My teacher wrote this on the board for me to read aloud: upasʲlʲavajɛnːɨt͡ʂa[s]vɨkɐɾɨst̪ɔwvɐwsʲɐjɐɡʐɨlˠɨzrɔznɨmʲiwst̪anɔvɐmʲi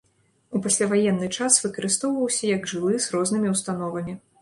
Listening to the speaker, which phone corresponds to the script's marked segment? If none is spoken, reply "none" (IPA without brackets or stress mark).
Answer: s